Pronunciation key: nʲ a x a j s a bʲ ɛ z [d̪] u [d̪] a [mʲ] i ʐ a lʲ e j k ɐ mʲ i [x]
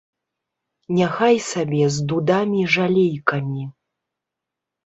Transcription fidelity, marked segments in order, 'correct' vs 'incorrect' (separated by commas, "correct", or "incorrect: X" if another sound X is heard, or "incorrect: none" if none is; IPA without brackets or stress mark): correct, correct, correct, incorrect: none